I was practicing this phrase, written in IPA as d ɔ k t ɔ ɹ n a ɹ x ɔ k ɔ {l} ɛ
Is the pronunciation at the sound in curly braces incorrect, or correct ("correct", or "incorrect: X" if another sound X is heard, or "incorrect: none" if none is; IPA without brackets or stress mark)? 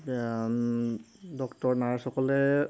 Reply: correct